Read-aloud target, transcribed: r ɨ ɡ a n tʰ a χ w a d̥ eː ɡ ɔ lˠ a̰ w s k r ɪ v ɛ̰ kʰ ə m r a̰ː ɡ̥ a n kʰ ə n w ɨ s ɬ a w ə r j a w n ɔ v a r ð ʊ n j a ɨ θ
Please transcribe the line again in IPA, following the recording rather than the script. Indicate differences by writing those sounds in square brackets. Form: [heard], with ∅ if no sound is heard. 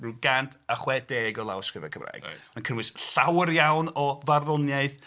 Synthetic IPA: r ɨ ɡ a n tʰ a χ w [ɛ] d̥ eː ɡ ɔ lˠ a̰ w s k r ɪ v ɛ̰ kʰ ə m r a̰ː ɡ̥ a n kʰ ə n w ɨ s ɬ a w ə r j a w n ɔ v a r ð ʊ n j a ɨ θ